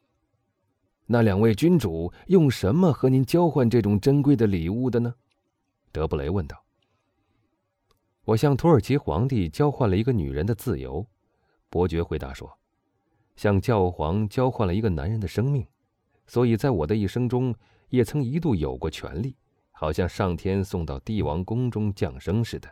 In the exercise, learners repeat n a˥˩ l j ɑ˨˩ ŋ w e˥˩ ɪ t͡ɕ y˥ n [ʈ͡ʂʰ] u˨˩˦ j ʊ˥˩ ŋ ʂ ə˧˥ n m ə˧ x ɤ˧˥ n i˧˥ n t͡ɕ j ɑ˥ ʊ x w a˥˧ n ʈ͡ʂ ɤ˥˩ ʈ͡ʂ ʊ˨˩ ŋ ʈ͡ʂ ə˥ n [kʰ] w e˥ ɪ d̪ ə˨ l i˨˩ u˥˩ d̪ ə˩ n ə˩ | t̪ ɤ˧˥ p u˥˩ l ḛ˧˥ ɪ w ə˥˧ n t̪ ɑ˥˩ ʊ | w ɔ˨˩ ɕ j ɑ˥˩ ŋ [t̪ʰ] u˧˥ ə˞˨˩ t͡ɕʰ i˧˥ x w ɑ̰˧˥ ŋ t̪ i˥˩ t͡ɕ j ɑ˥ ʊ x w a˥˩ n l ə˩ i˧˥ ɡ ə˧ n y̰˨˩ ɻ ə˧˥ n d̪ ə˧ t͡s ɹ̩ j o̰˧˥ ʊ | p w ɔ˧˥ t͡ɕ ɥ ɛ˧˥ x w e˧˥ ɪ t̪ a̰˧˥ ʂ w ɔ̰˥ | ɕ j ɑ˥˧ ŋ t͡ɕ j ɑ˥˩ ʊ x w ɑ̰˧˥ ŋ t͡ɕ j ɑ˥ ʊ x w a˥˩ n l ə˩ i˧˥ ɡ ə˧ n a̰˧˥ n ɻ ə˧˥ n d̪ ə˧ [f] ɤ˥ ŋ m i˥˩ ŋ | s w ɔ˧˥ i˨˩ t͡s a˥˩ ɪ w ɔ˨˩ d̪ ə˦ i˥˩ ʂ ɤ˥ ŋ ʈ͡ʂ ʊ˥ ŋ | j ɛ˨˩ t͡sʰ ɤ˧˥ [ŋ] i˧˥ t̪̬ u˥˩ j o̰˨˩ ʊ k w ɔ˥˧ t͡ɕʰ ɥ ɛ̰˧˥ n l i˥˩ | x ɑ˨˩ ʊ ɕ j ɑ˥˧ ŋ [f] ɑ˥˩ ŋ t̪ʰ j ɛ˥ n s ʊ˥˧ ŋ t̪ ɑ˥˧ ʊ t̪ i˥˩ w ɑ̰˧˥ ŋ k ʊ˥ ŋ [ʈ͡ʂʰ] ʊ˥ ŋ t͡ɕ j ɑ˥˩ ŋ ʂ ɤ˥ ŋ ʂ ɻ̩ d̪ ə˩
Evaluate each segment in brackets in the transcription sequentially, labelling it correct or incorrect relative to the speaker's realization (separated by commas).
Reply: incorrect, incorrect, correct, incorrect, correct, incorrect, incorrect